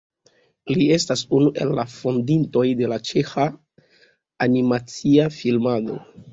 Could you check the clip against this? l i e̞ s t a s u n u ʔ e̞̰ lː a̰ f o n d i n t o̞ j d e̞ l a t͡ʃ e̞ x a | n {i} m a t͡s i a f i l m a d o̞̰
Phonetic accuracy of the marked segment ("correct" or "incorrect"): correct